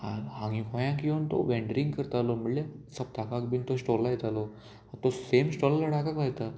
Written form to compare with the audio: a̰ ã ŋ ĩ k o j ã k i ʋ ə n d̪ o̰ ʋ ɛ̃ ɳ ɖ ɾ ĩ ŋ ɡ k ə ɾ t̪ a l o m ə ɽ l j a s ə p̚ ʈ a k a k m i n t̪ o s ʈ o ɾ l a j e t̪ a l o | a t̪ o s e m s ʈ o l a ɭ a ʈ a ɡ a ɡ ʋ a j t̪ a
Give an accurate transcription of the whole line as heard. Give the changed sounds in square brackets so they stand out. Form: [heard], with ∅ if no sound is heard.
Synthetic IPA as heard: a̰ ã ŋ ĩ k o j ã k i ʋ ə n [t̪] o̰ ʋ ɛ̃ ɳ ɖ ɾ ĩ ŋ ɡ k ə ɾ t̪ a l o m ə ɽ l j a s ə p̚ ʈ a k a k [b] i n t̪ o s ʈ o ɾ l a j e t̪ a l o | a t̪ o s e m s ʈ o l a [l] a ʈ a [k] a [k] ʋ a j t̪ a